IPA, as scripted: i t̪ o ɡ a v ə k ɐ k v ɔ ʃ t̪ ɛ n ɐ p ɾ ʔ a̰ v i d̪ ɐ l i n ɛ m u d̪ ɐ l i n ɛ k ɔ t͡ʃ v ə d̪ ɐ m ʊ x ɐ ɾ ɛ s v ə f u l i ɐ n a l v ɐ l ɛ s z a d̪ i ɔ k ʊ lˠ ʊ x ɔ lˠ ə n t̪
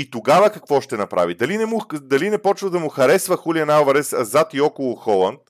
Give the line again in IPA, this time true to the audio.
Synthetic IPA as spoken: i t̪ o ɡ a v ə k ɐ k v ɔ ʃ t̪ ɛ n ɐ p ɾ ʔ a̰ v i d̪ ɐ l i n ɛ m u d̪ ɐ l i n ɛ p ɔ t͡ʃ v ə d̪ ɐ m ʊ x ɐ ɾ ɛ s v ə x u l i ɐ n a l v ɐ ɾ ɛ s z a t̪ i ɔ k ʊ lˠ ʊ x ɔ lˠ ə n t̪